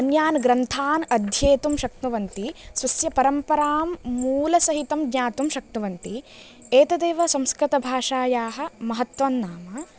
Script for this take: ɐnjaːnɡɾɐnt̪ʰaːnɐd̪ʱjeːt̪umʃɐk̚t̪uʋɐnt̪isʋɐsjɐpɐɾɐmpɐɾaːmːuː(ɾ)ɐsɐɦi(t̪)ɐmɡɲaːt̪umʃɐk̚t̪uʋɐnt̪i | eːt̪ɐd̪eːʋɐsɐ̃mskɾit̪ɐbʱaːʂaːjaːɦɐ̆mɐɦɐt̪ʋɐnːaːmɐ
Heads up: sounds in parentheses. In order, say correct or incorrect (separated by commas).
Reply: incorrect, correct